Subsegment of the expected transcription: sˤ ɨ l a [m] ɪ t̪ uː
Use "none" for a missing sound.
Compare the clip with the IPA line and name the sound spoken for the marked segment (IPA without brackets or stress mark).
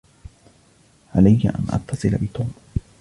b